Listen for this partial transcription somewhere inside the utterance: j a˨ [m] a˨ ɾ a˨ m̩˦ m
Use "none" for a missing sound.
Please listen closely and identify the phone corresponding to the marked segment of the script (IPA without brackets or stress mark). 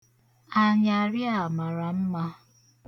m